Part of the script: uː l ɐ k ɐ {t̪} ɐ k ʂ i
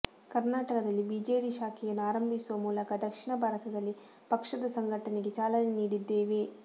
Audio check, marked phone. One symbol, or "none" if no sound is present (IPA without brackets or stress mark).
d̪